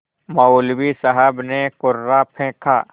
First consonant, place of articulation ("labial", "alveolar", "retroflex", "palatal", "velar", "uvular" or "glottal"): labial